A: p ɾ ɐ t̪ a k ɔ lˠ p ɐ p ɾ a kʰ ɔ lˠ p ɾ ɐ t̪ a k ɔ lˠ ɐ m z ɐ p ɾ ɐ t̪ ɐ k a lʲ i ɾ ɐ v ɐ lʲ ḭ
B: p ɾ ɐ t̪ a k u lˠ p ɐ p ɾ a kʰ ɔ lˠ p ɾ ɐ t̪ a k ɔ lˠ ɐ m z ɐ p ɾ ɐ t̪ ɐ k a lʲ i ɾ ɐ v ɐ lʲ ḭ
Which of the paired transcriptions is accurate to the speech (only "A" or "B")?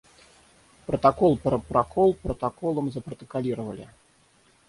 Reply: A